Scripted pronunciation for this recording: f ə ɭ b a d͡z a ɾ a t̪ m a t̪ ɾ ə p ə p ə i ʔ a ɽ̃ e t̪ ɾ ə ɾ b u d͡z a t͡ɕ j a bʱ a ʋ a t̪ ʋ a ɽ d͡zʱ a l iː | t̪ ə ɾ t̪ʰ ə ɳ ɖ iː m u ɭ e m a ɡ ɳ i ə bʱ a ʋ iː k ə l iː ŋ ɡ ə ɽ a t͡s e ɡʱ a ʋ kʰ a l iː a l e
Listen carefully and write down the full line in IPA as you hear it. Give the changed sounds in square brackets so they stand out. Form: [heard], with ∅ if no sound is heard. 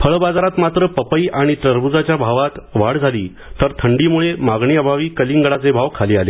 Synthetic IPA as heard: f ə ɭ b a d͡z a ɾ a t̪ m a t̪ ɾ ə p ə p ə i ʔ a ɽ̃ [i] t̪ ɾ ə ɾ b u d͡z a t͡ɕ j a bʱ a ʋ a t̪ ʋ a ɽ d͡zʱ a l iː | t̪ ə ɾ t̪ʰ ə ɳ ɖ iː m u ɭ e m a ɡ ɳ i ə bʱ a ʋ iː k ə l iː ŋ ɡ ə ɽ a t͡s e [bʱ] a ʋ kʰ a l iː a l e

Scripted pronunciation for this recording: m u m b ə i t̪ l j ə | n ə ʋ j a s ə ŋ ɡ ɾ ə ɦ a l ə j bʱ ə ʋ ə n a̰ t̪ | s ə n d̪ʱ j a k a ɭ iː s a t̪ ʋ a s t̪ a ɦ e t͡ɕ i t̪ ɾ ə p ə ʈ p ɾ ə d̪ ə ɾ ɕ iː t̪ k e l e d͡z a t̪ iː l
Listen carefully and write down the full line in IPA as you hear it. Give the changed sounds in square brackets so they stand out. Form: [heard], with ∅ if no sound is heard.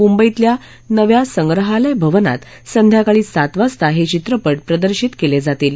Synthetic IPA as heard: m u m b ə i t̪ l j [a] | n ə ʋ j a s ə ŋ ɡ ɾ ə ɦ a l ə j bʱ ə ʋ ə n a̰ t̪ | s ə n d̪ʱ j a k a ɭ iː s a t̪ ʋ a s t̪ a ɦ e t͡ɕ i t̪ ɾ ə p ə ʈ p ɾ ə d̪ ə ɾ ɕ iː t̪ k e l e d͡z a t̪ iː l

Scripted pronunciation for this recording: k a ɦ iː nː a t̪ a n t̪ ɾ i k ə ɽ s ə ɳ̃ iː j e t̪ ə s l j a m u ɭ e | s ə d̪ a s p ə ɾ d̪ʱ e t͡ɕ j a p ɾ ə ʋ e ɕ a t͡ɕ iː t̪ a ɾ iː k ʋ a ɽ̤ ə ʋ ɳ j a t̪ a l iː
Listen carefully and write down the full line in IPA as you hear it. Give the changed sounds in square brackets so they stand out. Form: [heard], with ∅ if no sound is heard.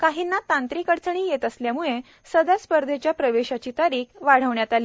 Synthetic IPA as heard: k a ɦ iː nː a t̪ a n t̪ ɾ i k ə ɽ [t͡s] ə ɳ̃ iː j e t̪ ə s l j a m u ɭ e | s ə d̪ a s p ə ɾ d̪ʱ e t͡ɕ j a p ɾ ə ʋ e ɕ a t͡ɕ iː t̪ a ɾ iː k ʋ a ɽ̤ ə ʋ ɳ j a t̪ a l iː

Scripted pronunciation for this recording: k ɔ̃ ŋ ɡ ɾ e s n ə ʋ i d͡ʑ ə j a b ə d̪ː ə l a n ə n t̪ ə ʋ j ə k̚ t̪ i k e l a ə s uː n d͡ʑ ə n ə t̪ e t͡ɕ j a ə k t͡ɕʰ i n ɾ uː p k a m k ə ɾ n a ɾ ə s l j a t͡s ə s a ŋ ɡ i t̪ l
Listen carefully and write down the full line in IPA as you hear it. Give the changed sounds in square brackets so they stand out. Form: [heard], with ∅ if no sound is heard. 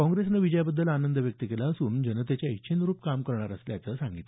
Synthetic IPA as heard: k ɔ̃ ŋ ɡ ɾ e s n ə ʋ i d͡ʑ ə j a b ə d̪ː ə l a n ə n [d̪] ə ʋ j ə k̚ t̪ i k e l a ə s uː n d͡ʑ ə n ə t̪ e t͡ɕ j a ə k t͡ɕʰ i n ɾ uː p k a m k ə ɾ [ɳ] a ɾ ə s l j a t͡s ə s a ŋ ɡ i t̪ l

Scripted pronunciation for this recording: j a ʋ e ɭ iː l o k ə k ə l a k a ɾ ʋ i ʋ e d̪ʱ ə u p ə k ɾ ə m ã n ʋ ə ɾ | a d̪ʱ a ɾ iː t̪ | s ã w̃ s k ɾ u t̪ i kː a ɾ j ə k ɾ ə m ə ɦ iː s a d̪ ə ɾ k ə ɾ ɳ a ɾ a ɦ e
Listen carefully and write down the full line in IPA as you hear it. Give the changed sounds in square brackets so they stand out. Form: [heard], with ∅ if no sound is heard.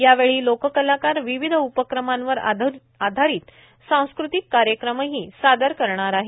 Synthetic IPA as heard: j a ʋ e ɭ iː l o k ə k ə l a k a ɾ ʋ i ʋ [i] d̪ʱ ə u p ə k ɾ ə m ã n ʋ ə ɾ | a d̪ʱ a ɾ iː t̪ | s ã w̃ s k ɾ u t̪ i kː a ɾ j ə k ɾ ə m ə ɦ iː s a d̪ ə ɾ k ə ɾ ɳ a ɾ a ɦ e

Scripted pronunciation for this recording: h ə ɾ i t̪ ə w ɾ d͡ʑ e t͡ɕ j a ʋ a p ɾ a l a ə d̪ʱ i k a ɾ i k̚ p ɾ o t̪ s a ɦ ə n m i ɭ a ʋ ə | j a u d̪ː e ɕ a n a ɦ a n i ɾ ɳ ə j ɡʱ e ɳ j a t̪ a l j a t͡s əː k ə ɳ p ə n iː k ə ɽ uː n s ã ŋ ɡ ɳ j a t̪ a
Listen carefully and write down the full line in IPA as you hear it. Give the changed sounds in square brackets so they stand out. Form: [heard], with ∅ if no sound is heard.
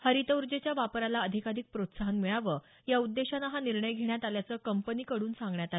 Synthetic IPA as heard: h ə ɾ i t̪ ə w ɾ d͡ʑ e t͡ɕ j a ʋ a p ɾ a l a ə d̪ʱ i k a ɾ i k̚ p ɾ o t̪ s a ɦ ə n m i ɭ a ʋ ə | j a u d̪ː e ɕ a n a ɦ a n i ɾ ɳ ə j ɡʱ e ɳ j a t̪ a l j a t͡s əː k ə [m] p ə n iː k ə ɽ uː n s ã ŋ ɡ ɳ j a t̪ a

